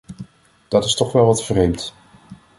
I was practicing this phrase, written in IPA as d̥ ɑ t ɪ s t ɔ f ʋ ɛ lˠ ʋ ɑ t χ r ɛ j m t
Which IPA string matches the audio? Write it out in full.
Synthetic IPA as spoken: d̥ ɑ t ɪ s t ɔ χ ʋ ɛ lˠ ʋ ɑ t f r e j m t